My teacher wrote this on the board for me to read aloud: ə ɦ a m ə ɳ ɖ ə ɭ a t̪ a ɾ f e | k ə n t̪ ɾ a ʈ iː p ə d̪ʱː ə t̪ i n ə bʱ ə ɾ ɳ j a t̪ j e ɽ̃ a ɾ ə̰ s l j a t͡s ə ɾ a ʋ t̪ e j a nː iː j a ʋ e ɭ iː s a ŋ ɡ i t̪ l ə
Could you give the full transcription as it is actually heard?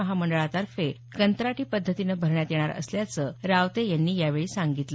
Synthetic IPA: ə ɦ a m ə ɳ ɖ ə ɭ a t̪ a ɾ f e | k ə n t̪ ɾ a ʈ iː p ə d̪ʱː ə t̪ i n ə bʱ ə ɾ ɳ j a t̪ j e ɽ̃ a ɾ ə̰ s l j a t͡s ə ɾ a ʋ t̪ e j a nː iː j a ʋ e ɭ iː s a ŋ ɡ i t̪ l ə